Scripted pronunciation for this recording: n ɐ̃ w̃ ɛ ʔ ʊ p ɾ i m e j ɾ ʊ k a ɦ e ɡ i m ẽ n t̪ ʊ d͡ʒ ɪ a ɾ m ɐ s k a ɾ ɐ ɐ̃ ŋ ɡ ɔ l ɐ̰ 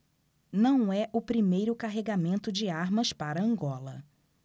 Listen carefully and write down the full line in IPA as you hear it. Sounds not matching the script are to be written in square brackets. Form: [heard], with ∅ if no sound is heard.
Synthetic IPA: n ɐ̃ w̃ ɛ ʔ ʊ p ɾ i m e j ɾ ʊ k a ɦ e ɡ [a] m ẽ n t̪ ʊ d͡ʒ ɪ a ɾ m ɐ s [p] a ɾ ɐ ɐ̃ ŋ ɡ ɔ l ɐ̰